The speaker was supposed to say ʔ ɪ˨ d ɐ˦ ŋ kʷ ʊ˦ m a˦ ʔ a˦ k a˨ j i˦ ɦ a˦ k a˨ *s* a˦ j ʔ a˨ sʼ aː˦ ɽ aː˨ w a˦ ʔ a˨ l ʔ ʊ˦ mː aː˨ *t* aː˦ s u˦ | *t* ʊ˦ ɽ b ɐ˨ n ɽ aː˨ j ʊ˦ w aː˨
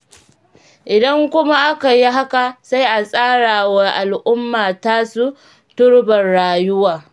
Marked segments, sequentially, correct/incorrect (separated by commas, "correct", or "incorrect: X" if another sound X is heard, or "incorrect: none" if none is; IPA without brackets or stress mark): correct, correct, correct